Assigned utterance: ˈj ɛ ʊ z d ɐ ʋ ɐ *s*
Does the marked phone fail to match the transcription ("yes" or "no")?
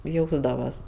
no